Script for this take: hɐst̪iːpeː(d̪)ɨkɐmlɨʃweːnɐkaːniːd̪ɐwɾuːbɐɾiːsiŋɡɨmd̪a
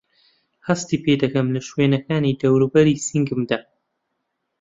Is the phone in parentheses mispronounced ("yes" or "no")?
no